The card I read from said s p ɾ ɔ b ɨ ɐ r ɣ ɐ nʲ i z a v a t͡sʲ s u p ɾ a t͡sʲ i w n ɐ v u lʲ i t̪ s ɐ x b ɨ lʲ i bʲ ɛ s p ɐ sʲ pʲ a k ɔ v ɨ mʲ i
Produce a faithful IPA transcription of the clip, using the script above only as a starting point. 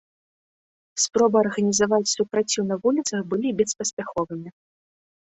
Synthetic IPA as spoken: s p ɾ ɔ b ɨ ɐ r ɣ ɐ nʲ i z a v a t͡sʲ s u p ɾ a t͡sʲ i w n ɐ v u lʲ i t̪ s ɐ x b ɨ lʲ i bʲ ɛ s p ɐ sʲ pʲ a x ɔ v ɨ mʲ i